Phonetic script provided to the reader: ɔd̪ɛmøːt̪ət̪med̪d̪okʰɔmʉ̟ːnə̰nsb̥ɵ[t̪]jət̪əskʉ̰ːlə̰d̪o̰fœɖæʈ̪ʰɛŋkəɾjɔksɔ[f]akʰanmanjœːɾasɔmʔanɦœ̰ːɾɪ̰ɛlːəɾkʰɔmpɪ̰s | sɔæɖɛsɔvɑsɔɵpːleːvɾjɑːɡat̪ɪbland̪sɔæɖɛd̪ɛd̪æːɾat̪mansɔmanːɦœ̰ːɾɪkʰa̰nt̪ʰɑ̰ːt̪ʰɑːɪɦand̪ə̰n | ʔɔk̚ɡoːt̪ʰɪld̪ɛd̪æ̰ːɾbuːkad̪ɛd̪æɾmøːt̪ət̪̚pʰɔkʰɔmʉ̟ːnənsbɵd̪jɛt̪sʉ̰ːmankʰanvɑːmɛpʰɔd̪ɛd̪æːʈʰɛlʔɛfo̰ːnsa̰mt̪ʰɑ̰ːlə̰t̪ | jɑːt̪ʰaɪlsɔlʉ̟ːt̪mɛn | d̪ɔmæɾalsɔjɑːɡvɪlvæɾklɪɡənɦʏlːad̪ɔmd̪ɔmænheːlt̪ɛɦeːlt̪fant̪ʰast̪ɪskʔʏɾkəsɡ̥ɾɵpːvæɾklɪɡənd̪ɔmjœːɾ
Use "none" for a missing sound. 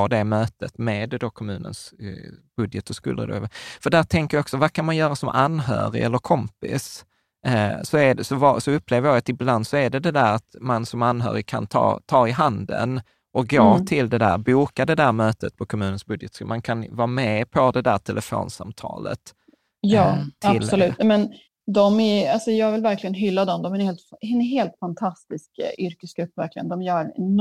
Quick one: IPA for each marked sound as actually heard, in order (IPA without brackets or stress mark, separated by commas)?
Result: d̪, v